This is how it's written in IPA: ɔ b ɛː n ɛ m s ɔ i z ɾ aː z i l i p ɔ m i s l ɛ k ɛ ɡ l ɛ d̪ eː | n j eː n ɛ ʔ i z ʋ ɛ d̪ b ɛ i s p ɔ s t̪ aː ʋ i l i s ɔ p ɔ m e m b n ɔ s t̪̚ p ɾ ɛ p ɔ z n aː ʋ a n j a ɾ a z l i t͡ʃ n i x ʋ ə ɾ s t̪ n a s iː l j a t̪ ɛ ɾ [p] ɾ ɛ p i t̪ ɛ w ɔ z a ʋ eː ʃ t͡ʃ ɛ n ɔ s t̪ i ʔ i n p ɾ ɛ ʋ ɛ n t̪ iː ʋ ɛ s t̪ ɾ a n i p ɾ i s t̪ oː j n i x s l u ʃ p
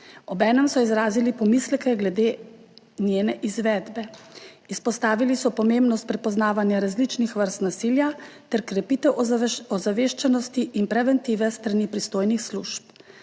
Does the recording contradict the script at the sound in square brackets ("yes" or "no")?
yes